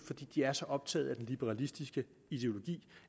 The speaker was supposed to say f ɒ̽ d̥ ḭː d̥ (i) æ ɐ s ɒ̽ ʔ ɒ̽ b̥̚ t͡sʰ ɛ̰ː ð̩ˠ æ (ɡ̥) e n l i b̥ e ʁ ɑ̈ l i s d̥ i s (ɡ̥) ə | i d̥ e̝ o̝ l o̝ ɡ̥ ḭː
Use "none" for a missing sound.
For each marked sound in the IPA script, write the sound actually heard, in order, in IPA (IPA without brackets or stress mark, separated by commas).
i, d̥, ɡ̥